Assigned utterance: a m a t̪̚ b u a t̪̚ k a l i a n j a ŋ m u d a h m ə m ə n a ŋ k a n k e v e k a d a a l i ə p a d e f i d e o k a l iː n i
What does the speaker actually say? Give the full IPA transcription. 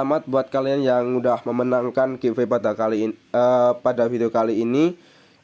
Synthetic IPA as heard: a m a t̪̚ b u a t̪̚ k a l i a n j a ŋ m u d a h m ə m ə n a ŋ k a n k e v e p a d a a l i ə p a d a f i d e o k a l iː n i